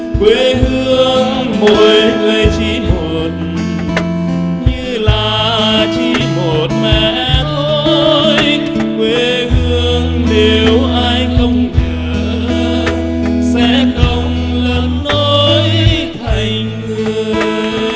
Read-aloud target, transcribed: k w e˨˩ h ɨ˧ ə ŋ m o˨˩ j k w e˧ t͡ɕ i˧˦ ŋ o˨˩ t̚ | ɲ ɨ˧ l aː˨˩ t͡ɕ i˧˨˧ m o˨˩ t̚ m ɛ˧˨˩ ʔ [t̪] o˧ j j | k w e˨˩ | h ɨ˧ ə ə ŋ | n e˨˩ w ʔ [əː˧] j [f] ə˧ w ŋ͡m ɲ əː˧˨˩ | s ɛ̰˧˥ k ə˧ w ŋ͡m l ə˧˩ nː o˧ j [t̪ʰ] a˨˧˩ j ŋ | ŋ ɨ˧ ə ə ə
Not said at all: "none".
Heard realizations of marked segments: t̪ʰ, aː˧, x, t̪ʰ

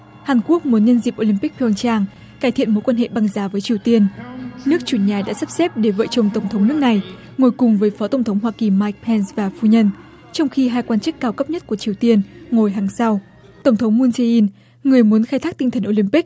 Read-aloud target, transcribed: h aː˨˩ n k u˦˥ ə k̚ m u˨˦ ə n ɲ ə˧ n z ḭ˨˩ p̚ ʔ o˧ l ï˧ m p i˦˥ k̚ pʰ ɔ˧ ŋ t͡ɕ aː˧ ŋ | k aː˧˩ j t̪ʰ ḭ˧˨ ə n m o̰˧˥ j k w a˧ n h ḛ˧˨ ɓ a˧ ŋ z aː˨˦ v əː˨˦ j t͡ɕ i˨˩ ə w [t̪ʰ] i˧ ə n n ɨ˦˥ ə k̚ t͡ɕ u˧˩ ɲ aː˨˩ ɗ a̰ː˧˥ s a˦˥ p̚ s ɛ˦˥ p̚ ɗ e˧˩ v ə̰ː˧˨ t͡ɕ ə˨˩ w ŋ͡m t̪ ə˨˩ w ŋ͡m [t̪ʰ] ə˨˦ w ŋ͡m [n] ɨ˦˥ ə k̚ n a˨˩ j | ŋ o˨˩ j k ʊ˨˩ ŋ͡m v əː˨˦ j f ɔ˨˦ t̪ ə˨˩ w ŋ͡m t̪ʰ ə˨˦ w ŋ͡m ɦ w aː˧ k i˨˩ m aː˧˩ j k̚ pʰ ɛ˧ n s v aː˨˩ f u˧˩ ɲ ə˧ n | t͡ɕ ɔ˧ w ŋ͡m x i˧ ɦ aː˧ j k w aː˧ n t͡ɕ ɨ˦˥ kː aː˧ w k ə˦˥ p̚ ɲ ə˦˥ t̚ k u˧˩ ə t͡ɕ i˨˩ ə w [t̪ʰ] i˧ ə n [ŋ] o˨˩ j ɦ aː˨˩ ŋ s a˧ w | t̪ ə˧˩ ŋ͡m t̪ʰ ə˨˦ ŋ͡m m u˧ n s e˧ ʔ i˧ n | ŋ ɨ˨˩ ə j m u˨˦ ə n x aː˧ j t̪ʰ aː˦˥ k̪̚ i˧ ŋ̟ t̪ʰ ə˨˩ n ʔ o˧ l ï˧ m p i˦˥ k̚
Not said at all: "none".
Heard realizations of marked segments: t̪, t̪ʰ, n, t̪, ŋ

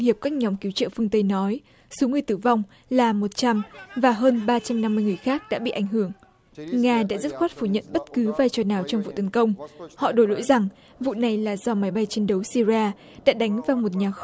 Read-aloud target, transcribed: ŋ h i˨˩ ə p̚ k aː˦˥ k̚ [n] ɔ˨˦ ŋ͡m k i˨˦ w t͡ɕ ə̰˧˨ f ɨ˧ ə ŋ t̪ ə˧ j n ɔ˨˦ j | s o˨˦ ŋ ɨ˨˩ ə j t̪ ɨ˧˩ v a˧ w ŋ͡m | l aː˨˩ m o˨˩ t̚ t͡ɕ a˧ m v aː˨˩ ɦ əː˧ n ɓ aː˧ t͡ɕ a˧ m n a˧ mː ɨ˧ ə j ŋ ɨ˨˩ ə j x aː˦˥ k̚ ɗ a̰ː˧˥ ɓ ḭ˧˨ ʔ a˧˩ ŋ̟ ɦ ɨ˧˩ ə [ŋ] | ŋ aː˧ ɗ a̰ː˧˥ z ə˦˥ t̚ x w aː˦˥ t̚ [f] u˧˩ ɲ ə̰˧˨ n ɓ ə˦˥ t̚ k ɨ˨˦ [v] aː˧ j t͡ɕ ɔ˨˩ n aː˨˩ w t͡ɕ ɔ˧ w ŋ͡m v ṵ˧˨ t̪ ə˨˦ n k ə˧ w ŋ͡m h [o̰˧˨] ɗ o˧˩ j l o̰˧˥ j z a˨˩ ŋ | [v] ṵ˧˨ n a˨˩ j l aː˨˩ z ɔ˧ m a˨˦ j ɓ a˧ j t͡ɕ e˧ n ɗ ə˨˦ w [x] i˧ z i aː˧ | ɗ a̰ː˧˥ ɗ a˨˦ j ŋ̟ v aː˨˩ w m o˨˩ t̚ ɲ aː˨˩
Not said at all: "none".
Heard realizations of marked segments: ɲ, ŋ, f, v, ɔ̰˧˨, v, s

